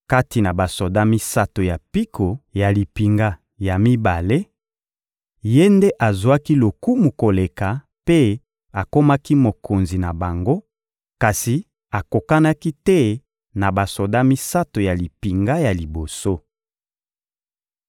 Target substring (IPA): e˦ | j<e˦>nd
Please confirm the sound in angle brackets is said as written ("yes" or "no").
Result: yes